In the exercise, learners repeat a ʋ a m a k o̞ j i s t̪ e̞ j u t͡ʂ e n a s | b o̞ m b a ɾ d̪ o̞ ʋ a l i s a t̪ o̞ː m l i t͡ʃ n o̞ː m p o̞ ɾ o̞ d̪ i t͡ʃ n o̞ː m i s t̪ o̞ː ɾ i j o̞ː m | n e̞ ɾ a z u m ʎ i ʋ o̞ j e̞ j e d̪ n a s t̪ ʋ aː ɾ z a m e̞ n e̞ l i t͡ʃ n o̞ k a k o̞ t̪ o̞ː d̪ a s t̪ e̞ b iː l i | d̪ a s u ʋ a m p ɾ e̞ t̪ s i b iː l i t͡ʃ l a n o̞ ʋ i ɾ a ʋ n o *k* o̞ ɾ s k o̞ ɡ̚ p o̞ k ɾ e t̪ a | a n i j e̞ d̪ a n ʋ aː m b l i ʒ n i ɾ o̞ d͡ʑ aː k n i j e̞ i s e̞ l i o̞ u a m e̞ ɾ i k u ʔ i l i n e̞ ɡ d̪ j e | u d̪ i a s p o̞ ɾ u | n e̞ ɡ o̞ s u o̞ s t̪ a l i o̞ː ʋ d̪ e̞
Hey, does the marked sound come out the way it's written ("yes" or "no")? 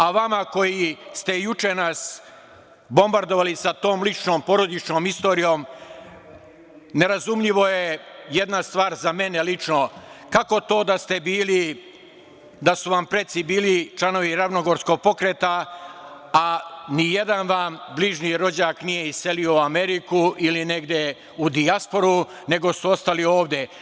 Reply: no